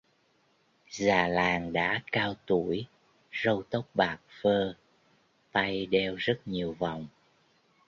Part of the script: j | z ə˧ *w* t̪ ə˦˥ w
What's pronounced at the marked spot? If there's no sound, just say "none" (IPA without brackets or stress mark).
w